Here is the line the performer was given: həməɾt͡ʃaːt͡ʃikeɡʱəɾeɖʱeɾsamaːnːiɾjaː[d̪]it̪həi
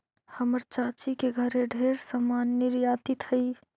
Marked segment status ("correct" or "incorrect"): incorrect